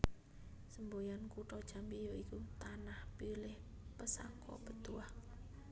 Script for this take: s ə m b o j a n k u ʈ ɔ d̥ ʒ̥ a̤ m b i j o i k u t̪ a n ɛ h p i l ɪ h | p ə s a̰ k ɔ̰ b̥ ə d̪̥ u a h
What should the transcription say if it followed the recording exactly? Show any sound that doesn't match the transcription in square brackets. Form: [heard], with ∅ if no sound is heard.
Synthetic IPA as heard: s ə m b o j a n k u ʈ ɔ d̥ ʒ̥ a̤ m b i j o i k u t̪ a n [a] h p i l ɪ h | p ə s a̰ k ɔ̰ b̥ ə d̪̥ u a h